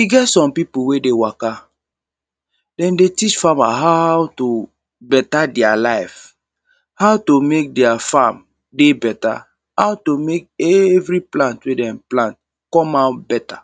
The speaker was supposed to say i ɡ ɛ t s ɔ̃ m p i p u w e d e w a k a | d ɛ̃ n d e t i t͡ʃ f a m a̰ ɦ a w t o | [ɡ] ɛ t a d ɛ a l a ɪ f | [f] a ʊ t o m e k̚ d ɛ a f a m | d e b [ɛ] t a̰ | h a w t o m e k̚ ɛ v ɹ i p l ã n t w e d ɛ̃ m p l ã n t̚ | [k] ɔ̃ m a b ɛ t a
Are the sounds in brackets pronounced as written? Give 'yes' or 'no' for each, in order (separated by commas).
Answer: no, no, yes, yes